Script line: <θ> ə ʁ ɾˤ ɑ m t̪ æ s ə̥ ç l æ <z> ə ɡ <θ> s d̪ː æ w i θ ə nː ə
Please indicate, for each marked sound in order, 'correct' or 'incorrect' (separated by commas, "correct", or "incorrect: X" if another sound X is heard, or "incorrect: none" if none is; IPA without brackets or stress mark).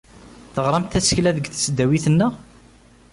correct, incorrect: ð, correct